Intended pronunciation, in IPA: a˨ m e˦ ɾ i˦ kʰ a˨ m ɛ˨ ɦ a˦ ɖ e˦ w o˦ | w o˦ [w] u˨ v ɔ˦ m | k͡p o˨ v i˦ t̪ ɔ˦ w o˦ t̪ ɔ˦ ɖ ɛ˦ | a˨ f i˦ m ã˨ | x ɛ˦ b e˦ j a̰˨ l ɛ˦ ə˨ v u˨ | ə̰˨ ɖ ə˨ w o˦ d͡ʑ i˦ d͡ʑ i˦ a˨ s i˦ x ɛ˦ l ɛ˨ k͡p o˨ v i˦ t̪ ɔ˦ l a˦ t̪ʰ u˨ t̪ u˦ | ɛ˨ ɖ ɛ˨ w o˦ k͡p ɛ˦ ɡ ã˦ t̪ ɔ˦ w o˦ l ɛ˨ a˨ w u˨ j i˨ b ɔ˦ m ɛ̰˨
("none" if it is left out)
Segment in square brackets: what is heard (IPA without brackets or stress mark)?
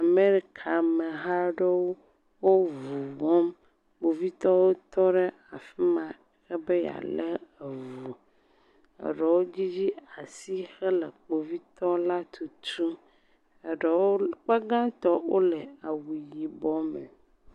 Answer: v